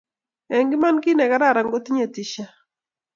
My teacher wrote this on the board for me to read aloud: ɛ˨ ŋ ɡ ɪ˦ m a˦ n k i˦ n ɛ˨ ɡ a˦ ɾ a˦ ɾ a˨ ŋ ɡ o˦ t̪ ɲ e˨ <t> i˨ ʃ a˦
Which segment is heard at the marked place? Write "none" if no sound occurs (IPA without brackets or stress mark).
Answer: t